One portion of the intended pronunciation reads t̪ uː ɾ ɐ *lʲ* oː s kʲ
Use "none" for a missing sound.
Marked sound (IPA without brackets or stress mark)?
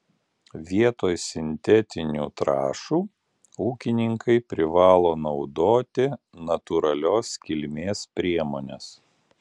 lʲ